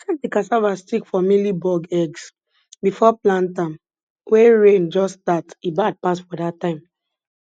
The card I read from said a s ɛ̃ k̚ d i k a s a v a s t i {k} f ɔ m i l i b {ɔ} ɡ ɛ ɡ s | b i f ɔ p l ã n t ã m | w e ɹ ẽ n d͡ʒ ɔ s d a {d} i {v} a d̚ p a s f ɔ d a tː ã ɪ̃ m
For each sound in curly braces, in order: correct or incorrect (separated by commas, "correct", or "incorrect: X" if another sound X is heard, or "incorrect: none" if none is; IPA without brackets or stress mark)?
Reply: correct, correct, incorrect: t, incorrect: b